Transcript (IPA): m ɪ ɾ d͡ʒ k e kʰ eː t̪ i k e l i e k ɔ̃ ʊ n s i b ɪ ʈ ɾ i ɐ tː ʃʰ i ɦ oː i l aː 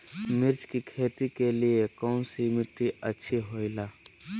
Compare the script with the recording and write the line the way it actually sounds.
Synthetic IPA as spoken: m ɪ ɾ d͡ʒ k i kʰ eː t̪ i k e l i e k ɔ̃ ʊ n s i m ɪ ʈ ɾ i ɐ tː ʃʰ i ɦ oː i l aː

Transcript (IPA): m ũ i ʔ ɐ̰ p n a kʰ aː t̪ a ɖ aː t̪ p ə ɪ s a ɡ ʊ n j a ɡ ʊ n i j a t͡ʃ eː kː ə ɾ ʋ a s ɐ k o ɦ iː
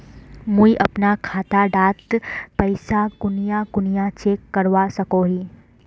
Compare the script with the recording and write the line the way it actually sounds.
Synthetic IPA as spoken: m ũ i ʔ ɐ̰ p n a kʰ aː t̪ a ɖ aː t̪ p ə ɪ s a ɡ ʊ n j a ɡ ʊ n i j a t͡ʃ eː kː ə ɾ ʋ a s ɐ k o ɦ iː

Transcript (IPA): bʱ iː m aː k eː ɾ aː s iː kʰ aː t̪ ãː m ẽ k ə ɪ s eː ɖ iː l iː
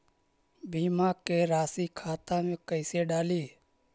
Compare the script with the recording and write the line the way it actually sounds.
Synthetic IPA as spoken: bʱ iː m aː k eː ɾ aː s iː kʰ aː t̪ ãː m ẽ k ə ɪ s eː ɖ aː l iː

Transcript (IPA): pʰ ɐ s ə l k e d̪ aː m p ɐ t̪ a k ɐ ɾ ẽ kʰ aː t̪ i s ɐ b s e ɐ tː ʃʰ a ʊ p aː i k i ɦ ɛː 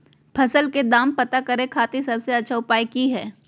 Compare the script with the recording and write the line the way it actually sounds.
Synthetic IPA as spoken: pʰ ɐ s ə l k e d̪ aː m p ɐ t̪ a k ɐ ɾ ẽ kʰ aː t̪ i s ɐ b s e ɐ tː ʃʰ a ʊ p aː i k i ɦ ɛː

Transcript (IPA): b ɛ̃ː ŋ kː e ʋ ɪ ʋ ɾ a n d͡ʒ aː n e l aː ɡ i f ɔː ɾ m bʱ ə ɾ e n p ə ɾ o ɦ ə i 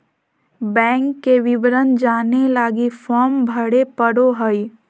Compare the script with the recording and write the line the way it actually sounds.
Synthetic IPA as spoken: b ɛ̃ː ŋ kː e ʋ ɪ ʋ ɾ ə n d͡ʒ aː n e l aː ɡ i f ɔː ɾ m bʱ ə ɽ e p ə ɽ o ɦ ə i

